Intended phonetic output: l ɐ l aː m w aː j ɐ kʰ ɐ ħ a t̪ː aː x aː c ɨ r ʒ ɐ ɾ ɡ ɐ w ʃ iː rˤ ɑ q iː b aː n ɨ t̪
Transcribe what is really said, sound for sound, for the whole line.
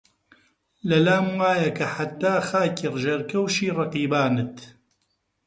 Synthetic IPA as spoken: l ɐ l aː m w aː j ɐ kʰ ɐ ħ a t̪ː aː x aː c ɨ r ʒ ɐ ɾ k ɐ w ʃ iː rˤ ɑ q iː b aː n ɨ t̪